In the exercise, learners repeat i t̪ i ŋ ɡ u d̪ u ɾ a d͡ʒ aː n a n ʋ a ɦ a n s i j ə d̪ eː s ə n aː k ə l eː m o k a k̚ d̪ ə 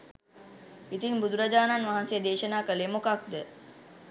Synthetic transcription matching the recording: i t̪ i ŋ b u d̪ u ɾ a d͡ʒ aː n a n ʋ a ɦ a n s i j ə d̪ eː ʃ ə n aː k ə l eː m o k a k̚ d̪ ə